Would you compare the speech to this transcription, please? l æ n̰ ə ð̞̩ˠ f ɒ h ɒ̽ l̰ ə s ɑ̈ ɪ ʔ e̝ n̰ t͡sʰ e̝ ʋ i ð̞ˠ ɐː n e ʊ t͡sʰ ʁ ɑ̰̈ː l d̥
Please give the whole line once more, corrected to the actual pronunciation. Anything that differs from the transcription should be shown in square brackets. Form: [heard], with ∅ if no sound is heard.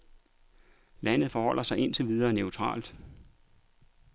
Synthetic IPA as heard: l æ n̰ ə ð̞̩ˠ f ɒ h ɒ̽ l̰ [ɐ] s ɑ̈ ɪ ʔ e̝ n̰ t͡sʰ e̝ ʋ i ð̞ˠ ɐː n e ʊ t͡sʰ ʁ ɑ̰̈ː l d̥